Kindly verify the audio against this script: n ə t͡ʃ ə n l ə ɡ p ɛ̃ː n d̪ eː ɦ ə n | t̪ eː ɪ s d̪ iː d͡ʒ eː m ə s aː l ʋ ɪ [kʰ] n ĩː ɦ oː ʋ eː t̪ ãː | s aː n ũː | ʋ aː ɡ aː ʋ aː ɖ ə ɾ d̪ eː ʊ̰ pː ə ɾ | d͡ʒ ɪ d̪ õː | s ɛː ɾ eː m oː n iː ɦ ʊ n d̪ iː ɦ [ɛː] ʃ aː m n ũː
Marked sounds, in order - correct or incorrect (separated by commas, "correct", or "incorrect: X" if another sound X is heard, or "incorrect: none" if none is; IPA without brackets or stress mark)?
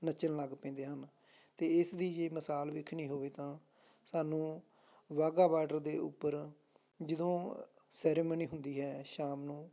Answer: correct, correct